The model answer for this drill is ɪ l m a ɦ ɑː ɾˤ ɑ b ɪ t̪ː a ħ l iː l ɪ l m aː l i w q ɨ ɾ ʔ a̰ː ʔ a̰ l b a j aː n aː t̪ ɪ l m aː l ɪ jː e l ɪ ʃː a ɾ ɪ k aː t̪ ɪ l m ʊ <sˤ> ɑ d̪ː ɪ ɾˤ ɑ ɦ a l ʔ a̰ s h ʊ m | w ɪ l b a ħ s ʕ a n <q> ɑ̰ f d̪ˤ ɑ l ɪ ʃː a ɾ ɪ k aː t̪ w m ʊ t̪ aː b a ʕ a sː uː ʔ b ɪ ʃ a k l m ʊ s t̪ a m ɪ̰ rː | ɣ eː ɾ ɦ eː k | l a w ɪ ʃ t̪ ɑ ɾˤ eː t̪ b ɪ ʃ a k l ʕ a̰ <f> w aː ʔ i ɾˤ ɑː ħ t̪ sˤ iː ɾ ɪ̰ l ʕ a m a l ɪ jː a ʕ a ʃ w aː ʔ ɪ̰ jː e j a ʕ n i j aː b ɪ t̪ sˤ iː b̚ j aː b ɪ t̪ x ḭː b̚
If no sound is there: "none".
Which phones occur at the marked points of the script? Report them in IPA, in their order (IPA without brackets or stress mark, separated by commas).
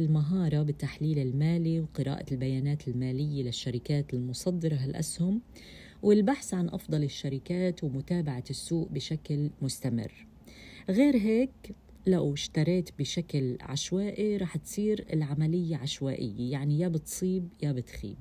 sˤ, ʔ, ʃ